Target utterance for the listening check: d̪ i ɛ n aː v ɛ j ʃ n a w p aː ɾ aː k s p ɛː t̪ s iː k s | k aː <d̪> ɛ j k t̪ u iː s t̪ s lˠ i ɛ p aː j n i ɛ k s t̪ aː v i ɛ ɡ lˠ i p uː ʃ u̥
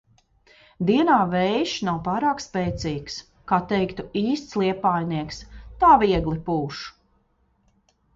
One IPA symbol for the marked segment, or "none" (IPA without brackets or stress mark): t̪